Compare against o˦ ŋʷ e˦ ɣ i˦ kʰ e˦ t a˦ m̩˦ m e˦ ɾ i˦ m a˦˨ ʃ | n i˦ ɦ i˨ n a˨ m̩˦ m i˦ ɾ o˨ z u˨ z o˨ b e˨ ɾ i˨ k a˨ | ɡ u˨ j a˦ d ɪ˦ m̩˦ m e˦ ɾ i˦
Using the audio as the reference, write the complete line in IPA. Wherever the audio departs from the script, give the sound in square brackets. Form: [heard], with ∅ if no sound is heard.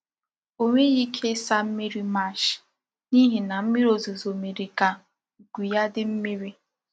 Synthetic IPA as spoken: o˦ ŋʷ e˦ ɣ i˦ kʰ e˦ [s] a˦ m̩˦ m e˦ ɾ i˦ m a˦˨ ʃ | n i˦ ɦ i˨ n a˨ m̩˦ m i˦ ɾ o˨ z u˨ z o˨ [m] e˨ ɾ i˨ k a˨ | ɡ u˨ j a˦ d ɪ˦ m̩˦ m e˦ ɾ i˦